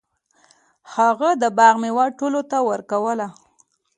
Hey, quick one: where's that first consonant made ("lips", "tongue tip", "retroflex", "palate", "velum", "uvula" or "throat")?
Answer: throat